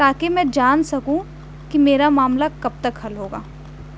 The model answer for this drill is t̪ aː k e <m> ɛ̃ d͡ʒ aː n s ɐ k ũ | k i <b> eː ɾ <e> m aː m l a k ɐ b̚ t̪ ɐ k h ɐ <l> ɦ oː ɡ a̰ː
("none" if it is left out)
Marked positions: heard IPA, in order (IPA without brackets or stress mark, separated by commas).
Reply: m, m, a, l